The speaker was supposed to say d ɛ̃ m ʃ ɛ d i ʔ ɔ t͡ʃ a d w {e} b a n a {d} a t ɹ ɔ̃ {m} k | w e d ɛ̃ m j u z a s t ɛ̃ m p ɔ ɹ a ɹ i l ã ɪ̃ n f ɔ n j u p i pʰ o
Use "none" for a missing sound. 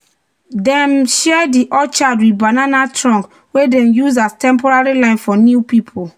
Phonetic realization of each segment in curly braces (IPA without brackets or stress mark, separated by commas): i, n, ŋ